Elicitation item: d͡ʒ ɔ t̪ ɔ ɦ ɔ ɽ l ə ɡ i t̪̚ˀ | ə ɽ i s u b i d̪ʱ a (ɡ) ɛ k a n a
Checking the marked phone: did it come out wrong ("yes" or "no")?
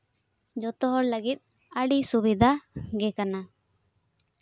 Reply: no